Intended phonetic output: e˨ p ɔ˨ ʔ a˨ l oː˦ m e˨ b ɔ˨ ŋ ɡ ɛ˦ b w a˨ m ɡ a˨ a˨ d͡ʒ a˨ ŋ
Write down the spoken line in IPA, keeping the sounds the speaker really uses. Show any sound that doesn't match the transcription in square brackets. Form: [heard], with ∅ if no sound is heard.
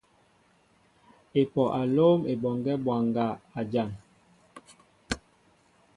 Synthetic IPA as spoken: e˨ p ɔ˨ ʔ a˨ l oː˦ m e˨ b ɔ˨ ŋ ɡ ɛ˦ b w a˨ [ŋ] ɡ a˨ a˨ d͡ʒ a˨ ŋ